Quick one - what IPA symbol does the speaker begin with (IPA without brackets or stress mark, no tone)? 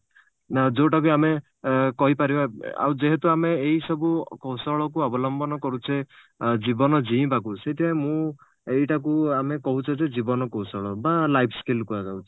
d͡ʒ